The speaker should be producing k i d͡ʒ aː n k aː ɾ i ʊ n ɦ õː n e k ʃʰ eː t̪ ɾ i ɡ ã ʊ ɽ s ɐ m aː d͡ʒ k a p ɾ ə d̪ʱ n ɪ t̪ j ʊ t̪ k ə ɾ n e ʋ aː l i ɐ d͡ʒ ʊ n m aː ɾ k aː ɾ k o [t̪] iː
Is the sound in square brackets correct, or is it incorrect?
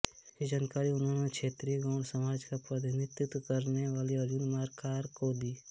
incorrect: d̪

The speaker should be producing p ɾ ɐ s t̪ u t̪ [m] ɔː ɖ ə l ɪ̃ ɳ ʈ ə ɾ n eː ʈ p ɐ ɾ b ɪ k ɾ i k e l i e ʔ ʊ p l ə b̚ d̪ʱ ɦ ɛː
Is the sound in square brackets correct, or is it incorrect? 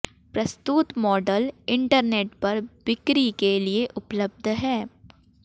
correct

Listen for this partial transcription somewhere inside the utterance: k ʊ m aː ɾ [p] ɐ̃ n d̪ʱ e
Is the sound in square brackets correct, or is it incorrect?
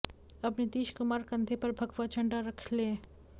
incorrect: k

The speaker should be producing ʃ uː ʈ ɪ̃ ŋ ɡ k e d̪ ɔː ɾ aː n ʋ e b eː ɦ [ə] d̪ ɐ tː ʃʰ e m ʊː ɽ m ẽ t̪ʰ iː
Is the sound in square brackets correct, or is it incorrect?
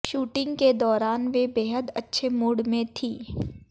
correct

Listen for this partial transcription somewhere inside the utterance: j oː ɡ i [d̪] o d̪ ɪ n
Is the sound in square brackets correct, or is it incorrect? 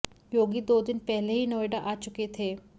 correct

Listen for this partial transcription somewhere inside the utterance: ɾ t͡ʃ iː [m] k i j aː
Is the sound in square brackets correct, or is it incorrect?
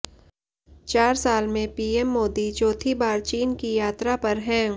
incorrect: n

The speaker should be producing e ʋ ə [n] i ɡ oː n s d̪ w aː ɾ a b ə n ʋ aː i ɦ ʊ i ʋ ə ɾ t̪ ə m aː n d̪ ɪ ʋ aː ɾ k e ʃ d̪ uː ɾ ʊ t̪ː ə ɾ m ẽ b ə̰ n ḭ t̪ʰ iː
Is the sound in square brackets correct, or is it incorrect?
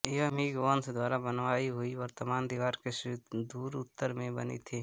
incorrect: m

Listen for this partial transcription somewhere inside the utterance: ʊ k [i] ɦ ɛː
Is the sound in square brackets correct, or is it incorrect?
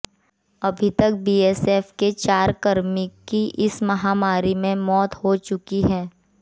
correct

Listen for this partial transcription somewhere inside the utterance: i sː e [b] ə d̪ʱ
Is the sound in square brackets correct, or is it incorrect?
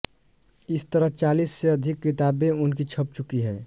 incorrect: none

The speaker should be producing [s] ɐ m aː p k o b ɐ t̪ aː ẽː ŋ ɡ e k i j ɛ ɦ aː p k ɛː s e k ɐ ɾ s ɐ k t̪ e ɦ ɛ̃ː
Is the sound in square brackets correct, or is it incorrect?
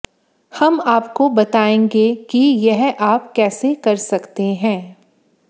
incorrect: h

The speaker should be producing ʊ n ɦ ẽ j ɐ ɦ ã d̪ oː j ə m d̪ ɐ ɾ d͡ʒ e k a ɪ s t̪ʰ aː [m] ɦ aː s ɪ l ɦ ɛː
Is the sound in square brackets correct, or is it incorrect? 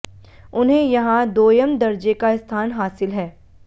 incorrect: n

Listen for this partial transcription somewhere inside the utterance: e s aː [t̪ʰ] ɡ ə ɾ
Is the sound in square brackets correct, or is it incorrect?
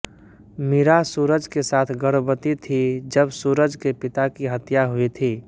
correct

